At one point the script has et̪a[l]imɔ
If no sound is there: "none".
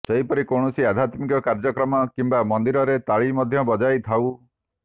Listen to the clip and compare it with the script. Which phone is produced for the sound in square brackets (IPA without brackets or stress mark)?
ɭ